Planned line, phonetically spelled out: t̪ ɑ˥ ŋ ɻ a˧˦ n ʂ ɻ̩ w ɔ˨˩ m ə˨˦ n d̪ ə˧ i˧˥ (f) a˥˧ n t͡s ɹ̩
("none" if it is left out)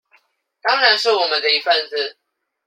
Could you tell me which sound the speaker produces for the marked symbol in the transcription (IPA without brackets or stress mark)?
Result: f